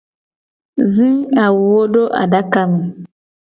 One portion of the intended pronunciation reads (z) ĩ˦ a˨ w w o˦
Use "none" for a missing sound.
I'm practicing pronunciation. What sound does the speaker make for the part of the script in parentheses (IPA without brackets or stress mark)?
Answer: z